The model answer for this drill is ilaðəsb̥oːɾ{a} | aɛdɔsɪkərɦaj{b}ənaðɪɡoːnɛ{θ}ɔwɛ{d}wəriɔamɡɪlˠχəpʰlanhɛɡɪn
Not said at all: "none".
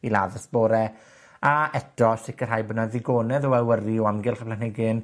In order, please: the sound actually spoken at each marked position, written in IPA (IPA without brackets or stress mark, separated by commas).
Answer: ɛ, b, ð, none